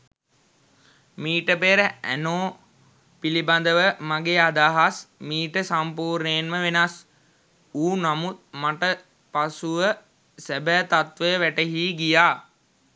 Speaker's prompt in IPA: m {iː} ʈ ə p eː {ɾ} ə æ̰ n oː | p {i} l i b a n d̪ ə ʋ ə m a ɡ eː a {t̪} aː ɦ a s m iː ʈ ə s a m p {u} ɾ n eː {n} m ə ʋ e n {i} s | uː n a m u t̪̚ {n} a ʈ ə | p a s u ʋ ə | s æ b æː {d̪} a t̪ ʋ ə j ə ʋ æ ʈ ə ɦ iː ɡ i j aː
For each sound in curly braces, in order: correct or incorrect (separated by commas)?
correct, correct, correct, incorrect, incorrect, correct, incorrect, incorrect, incorrect